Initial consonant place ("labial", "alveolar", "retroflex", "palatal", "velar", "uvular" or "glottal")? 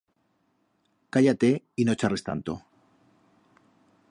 velar